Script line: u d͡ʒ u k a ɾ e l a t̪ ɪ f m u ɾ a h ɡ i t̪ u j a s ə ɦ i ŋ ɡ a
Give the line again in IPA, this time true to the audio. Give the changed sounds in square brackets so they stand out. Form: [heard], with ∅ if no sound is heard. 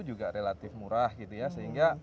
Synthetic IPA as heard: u d͡ʒ u [ɡ] a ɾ e l a t̪ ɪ f m u ɾ a h ɡ i t̪ u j a s ə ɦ i ŋ ɡ a